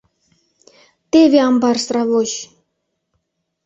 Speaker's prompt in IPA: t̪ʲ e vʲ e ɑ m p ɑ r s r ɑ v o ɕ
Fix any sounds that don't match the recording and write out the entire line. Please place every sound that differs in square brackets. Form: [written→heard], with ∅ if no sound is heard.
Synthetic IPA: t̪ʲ e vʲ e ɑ m [p→b] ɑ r s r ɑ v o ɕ